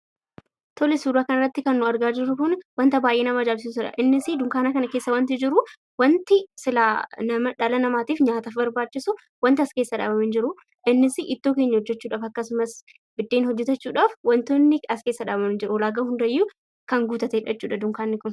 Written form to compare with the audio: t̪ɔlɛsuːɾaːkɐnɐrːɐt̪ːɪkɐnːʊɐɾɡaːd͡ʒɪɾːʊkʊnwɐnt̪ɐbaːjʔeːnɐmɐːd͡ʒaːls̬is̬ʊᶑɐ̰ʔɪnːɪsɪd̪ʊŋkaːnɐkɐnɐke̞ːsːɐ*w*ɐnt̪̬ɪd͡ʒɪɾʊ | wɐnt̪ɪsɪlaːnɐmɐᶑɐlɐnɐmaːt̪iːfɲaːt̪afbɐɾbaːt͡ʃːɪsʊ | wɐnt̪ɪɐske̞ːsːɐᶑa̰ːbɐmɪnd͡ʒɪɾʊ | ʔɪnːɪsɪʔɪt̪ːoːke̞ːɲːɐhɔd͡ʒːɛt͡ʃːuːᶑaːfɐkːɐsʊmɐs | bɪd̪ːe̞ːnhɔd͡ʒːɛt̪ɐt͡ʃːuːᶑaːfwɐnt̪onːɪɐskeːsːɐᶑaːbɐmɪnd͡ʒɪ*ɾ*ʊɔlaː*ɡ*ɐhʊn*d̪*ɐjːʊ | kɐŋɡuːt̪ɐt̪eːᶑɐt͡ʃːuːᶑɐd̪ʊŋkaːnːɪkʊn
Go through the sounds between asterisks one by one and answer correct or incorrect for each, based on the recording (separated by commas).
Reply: correct, correct, correct, correct